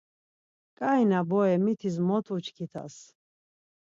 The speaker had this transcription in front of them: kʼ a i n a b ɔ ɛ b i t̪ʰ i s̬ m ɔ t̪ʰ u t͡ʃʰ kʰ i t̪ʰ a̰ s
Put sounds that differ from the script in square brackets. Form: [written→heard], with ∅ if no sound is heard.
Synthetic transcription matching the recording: kʼ a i n a b ɔ ɛ [b→m] i t̪ʰ i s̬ m ɔ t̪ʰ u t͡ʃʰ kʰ i t̪ʰ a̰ s